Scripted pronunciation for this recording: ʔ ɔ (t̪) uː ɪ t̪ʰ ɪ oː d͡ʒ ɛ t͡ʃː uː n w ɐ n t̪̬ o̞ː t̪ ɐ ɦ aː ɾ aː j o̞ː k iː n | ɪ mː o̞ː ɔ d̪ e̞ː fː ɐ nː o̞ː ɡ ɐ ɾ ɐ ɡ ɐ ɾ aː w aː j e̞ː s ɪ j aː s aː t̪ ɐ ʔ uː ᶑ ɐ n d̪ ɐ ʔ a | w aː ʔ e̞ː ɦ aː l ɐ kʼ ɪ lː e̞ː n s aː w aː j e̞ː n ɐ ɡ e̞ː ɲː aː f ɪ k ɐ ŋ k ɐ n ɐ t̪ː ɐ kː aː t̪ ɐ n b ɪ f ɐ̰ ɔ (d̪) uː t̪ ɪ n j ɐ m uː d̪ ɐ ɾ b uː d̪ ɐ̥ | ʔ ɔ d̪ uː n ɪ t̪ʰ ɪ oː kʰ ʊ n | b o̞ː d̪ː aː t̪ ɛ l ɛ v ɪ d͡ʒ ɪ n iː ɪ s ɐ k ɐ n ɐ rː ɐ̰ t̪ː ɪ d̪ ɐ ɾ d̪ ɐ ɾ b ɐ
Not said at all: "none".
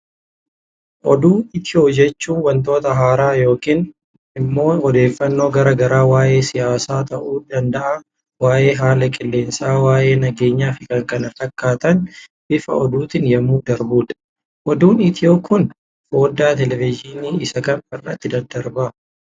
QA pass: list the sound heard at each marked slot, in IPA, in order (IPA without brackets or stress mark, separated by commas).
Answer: d̪, d̪